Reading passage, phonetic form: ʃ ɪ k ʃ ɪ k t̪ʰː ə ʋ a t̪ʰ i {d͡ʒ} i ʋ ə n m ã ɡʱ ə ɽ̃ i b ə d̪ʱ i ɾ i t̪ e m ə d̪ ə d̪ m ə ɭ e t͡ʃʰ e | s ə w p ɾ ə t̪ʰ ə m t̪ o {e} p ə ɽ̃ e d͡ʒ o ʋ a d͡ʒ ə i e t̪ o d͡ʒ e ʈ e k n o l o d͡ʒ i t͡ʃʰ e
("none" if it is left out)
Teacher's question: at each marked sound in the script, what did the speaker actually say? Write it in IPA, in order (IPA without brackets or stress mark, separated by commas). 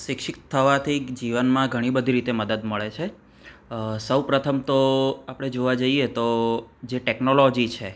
d͡ʒ, a